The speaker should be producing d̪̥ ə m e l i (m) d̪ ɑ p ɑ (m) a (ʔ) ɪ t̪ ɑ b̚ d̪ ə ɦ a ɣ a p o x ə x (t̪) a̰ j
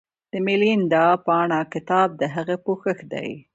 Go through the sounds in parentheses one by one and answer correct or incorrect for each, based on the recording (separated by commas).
incorrect, incorrect, incorrect, incorrect